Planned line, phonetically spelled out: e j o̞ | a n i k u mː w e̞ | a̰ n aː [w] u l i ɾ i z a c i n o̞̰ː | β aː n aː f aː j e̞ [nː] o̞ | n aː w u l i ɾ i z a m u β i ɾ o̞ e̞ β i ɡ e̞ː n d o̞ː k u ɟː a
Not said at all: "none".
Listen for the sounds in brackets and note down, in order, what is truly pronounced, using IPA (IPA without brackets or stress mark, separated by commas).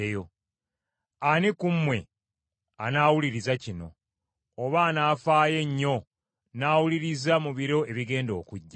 w, ɲː